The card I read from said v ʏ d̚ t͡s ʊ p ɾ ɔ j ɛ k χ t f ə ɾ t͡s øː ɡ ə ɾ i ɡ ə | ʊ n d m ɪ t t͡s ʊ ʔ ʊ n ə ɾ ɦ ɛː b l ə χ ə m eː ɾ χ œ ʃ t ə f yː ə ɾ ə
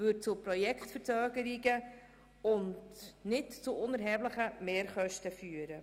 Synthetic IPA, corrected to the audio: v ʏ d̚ t͡s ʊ p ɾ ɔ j ɛ k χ t f ə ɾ t͡s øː ɡ ə ɾ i ɡ ə | ʊ n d n ɪ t t͡s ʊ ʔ ʊ n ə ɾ ɦ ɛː b l ə χ ə m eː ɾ χ œ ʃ t ə f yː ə ɾ ə